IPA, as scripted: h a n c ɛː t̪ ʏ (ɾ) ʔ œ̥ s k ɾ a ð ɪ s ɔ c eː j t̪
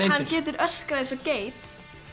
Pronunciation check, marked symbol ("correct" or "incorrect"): correct